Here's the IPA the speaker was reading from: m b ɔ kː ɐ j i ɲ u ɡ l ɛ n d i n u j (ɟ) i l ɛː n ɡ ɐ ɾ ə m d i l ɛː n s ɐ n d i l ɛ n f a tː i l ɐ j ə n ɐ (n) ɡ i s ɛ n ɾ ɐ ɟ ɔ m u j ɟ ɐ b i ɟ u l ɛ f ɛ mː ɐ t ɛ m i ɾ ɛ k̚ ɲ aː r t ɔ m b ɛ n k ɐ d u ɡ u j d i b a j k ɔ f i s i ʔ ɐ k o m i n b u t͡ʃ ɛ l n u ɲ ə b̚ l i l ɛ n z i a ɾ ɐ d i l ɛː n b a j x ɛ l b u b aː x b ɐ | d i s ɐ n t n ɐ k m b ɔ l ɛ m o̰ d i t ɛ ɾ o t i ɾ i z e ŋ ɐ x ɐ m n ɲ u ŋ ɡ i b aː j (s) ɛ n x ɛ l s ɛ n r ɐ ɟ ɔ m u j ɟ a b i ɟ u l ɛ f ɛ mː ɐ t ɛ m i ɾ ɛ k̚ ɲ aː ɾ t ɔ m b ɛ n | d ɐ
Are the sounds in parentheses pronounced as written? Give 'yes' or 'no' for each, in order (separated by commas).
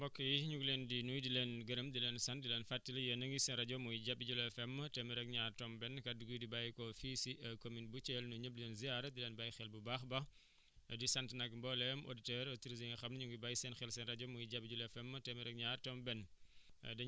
no, no, yes